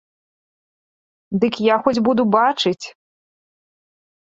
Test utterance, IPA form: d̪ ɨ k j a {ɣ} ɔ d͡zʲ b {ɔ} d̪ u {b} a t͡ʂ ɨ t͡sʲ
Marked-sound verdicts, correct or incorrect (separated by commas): incorrect, incorrect, correct